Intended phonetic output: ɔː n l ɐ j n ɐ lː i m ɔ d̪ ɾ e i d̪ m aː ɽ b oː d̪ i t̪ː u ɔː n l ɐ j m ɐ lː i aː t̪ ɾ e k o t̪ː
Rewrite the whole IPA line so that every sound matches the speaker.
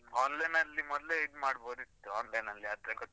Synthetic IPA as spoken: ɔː n l ɐ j n ɐ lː i m ɔ d̪ l e i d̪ m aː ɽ b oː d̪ i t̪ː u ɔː n l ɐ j n ɐ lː i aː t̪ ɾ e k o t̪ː